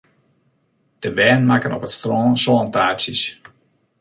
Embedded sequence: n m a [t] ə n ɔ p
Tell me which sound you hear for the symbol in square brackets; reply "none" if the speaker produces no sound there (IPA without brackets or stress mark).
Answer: k